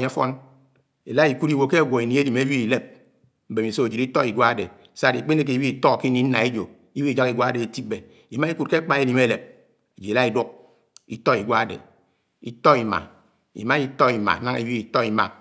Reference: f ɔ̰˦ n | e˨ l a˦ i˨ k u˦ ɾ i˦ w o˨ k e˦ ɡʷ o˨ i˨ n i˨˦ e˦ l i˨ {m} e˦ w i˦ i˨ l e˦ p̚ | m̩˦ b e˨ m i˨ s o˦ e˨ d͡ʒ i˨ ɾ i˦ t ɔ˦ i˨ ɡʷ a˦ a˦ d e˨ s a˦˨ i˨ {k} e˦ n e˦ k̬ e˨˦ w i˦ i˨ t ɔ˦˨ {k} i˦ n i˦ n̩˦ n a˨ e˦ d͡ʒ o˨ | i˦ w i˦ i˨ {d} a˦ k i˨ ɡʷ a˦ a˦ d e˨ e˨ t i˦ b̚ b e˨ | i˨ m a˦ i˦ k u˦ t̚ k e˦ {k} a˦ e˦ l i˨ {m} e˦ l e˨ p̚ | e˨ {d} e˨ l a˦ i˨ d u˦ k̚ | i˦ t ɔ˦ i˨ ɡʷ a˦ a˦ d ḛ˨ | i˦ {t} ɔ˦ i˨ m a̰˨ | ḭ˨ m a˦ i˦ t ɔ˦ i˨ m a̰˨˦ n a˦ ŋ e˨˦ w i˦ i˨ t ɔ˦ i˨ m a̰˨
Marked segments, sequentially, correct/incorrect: correct, incorrect, correct, incorrect, incorrect, correct, incorrect, correct

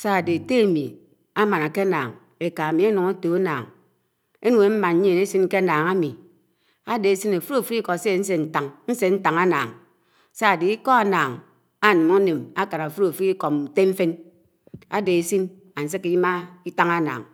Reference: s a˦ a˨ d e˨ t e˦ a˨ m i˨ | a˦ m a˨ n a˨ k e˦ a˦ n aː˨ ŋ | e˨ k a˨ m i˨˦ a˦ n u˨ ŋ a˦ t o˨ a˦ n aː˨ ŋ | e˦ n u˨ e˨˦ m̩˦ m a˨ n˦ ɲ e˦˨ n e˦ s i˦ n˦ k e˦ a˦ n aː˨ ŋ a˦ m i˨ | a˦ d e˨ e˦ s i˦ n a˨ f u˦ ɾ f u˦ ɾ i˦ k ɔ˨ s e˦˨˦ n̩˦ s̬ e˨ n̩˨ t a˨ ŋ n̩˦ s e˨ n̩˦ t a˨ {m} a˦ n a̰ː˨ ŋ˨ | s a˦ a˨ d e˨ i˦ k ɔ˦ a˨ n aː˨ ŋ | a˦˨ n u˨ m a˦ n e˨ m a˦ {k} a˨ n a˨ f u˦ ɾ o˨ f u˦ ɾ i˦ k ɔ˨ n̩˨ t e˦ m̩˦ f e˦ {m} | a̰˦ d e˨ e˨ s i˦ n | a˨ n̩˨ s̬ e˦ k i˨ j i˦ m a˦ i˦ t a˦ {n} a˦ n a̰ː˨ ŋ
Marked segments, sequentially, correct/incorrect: incorrect, correct, incorrect, incorrect

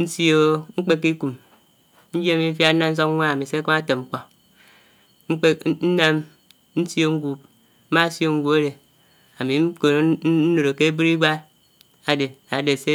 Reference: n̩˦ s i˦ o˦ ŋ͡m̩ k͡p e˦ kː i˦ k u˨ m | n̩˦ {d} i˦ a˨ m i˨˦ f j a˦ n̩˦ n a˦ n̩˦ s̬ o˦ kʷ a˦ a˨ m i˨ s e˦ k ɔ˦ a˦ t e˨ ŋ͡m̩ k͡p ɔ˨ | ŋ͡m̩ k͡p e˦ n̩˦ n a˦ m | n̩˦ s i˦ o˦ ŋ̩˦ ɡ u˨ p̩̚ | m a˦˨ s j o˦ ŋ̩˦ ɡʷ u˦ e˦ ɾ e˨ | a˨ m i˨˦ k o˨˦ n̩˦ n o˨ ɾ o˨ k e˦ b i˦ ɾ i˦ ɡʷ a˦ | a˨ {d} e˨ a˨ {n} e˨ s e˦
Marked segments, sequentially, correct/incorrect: incorrect, correct, incorrect

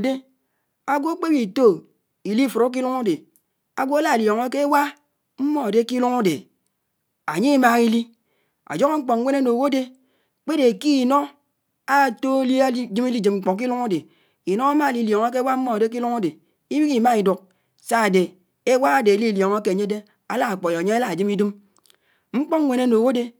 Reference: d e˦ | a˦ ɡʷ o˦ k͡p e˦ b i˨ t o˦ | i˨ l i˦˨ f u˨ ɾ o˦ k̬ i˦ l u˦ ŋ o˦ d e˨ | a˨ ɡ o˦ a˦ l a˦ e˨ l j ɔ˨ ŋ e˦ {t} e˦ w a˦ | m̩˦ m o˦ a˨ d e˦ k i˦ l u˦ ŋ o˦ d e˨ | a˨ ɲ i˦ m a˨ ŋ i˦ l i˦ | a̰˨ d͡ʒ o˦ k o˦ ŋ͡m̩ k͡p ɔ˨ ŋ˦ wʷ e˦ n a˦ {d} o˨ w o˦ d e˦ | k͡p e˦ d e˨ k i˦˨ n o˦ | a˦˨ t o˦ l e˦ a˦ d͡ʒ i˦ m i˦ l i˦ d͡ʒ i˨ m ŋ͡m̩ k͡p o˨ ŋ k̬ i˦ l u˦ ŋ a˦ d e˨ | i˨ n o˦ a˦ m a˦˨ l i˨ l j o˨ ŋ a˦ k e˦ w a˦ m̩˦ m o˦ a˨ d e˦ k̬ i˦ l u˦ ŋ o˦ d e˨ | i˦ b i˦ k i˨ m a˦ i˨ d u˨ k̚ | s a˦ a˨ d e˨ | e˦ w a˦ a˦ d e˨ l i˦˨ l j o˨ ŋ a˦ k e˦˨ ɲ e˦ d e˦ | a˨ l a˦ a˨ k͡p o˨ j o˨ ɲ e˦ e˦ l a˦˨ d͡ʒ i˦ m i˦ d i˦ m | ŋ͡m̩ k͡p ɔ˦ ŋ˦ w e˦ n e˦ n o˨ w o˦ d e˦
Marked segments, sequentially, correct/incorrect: incorrect, incorrect

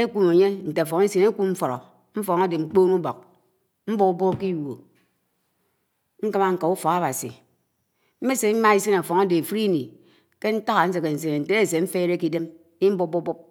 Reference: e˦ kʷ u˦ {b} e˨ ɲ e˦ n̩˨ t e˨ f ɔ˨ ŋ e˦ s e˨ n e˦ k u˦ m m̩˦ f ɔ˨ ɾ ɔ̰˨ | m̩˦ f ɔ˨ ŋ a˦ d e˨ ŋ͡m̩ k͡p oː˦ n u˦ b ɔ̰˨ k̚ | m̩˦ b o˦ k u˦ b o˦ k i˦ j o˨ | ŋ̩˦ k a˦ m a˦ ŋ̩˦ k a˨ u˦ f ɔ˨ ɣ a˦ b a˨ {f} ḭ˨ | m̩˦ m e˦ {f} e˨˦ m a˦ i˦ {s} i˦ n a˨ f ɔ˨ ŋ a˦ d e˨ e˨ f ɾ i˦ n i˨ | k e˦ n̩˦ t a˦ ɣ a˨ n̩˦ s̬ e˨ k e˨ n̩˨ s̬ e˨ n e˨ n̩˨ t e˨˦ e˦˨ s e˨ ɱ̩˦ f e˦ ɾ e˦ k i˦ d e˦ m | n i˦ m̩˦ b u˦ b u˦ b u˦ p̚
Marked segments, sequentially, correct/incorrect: incorrect, incorrect, incorrect, correct

